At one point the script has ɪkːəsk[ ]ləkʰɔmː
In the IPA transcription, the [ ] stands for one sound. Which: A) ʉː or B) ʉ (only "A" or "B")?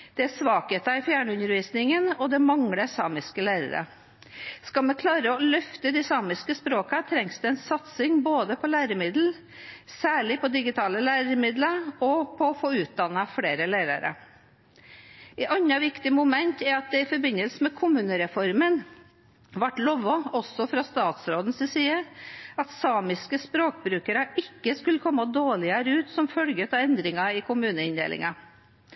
B